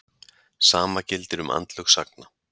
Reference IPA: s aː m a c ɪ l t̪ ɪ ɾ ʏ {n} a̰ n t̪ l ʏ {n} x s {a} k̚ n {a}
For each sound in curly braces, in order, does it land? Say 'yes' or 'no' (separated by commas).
no, no, yes, yes